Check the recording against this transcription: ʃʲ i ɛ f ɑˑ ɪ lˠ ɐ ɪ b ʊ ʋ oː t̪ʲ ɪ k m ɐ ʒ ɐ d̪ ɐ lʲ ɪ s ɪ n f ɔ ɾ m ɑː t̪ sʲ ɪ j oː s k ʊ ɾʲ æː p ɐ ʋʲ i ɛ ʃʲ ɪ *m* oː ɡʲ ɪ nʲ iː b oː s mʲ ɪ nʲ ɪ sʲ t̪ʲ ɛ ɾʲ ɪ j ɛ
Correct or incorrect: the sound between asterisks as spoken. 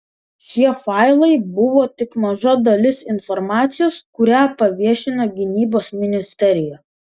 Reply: incorrect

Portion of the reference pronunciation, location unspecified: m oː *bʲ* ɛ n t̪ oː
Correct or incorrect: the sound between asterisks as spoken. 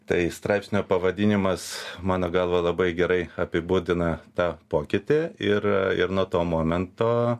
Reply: incorrect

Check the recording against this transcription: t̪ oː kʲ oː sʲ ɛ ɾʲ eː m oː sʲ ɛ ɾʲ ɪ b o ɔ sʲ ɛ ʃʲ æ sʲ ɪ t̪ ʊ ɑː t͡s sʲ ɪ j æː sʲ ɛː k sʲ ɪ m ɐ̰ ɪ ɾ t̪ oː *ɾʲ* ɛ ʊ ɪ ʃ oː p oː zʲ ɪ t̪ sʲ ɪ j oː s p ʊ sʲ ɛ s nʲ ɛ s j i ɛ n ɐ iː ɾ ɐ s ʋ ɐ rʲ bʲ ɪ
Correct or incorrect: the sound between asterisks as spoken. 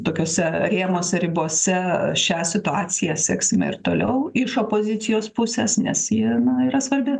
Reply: incorrect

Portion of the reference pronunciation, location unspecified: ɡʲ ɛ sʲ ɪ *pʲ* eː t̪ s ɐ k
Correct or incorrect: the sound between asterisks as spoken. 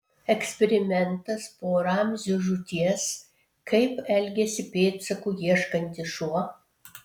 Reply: correct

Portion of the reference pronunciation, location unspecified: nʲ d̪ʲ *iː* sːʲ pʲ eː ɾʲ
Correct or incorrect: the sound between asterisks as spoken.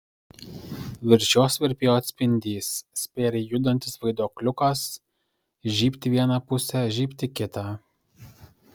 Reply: correct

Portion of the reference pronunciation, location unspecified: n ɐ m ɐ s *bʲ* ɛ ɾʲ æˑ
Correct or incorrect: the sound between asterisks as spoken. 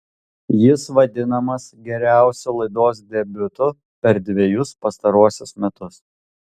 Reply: incorrect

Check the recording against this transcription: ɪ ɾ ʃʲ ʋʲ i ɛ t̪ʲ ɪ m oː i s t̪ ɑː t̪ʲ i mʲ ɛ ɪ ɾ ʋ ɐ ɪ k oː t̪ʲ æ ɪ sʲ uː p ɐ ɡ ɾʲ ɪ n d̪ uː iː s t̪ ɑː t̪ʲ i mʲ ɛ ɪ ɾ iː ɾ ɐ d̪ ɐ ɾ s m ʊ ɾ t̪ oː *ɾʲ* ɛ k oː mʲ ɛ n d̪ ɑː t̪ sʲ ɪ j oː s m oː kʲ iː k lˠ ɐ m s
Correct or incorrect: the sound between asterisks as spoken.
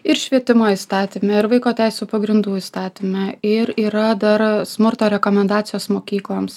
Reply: correct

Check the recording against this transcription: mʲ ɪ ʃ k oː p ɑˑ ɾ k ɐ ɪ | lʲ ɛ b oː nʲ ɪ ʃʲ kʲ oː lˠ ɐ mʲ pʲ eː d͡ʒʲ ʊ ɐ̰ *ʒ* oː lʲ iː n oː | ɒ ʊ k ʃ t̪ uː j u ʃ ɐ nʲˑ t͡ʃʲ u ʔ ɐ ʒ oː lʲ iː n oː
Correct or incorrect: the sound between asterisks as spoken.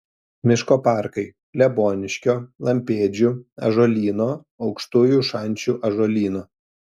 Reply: correct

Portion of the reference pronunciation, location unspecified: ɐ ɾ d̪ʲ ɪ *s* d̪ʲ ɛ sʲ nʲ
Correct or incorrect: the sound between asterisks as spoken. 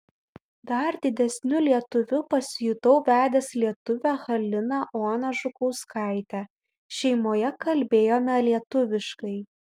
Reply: incorrect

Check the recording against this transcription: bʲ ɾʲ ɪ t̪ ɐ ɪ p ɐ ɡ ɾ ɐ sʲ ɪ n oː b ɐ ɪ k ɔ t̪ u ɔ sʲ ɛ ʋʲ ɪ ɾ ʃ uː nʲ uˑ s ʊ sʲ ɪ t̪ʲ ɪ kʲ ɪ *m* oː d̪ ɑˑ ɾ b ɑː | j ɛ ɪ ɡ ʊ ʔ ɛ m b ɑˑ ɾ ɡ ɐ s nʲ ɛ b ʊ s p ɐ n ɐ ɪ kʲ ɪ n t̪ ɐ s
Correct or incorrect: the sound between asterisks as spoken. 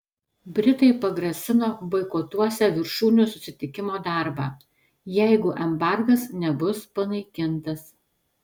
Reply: correct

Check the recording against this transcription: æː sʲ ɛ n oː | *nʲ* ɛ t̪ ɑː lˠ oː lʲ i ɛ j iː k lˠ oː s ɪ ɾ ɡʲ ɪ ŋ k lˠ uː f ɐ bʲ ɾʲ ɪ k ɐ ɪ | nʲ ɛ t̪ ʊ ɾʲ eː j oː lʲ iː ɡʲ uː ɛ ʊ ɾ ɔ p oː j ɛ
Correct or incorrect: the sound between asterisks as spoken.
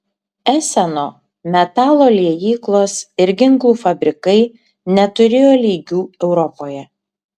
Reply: incorrect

